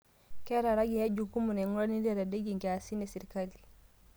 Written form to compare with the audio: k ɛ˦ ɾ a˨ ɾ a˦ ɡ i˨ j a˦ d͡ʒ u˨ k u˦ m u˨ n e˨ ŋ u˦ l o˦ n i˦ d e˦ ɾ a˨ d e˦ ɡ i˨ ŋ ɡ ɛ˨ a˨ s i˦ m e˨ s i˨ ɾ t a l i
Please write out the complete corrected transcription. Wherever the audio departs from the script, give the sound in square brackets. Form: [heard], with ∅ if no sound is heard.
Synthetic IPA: k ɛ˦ ɾ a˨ ɾ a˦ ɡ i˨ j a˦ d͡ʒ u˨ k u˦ m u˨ n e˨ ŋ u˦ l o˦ n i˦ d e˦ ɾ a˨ d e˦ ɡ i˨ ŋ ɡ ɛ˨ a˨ s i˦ [n] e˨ s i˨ ɾ [k] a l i